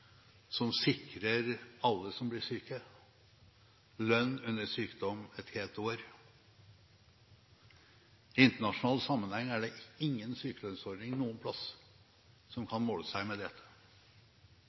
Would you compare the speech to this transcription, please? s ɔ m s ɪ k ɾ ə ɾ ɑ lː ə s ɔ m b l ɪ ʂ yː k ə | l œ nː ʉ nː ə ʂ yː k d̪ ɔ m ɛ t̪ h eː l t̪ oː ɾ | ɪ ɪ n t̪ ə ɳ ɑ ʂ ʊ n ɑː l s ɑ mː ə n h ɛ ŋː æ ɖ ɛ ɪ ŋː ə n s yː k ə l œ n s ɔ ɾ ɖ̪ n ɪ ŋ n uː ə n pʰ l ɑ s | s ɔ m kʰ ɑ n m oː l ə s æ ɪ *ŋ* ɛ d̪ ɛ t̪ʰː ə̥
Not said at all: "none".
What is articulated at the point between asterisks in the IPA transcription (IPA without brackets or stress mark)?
m